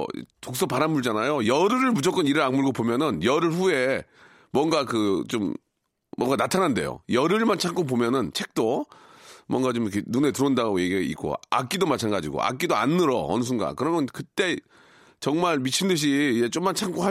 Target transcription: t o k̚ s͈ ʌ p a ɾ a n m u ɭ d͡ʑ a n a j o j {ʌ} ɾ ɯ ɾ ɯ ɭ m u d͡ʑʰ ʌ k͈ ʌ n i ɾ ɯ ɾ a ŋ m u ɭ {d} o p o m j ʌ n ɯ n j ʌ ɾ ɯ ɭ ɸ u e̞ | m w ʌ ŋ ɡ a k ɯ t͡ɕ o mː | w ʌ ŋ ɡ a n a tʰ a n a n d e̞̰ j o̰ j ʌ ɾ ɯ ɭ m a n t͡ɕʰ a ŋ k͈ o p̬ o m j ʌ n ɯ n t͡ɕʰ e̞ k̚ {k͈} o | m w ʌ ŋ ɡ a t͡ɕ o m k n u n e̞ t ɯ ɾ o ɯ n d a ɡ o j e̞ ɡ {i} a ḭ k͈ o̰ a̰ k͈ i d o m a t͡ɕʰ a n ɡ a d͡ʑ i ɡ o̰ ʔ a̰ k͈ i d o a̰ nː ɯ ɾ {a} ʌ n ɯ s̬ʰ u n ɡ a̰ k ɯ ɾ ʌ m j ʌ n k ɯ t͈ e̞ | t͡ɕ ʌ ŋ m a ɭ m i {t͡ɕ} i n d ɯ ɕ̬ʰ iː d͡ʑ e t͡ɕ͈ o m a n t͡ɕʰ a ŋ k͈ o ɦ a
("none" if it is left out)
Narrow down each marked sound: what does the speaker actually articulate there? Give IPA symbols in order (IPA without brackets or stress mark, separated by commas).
ʌ, ɡ, t͈, i, ʌ, t͡ɕʰ